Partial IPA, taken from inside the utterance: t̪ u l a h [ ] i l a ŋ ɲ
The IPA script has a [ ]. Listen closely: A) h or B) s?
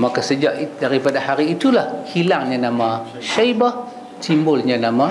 A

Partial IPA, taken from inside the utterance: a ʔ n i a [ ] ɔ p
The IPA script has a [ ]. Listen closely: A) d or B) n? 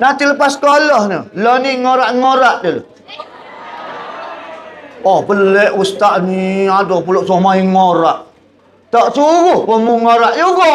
A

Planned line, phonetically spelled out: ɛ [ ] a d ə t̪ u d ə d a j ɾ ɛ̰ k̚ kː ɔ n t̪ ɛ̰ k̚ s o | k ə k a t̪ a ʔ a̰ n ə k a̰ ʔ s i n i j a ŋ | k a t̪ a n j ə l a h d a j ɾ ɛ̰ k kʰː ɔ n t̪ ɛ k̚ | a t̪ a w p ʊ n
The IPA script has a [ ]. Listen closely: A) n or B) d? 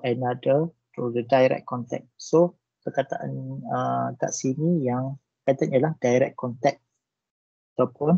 A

